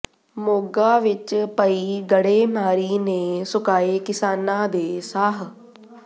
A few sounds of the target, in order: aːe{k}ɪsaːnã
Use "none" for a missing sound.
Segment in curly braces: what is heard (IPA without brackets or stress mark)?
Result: k